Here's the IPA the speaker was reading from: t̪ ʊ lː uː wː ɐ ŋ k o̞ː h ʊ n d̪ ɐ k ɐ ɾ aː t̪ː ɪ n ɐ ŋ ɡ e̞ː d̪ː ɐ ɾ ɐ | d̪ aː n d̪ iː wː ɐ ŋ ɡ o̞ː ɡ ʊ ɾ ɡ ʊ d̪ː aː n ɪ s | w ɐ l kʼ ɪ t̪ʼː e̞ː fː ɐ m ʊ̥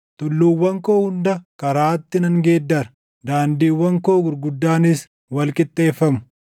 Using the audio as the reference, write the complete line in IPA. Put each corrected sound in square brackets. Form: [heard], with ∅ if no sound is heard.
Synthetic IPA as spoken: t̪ ʊ lː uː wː ɐ ŋ k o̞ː h ʊ n d̪ ɐ k ɐ ɾ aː t̪ː ɪ n ɐ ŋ ɡ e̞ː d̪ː ɐ ɾ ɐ | d̪ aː n d̪ iː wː ɐ ŋ [k] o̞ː ɡ ʊ ɾ ɡ ʊ d̪ː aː n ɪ s | w ɐ l kʼ ɪ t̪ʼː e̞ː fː ɐ m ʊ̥